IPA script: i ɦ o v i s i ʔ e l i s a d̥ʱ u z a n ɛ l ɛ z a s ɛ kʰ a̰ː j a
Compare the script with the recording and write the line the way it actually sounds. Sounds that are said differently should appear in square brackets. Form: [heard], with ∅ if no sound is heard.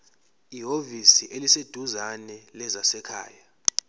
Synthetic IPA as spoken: i ɦ o v i s i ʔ e l i s [e] d̥ʱ u z a n ɛ l ɛ z a s ɛ kʰ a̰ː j a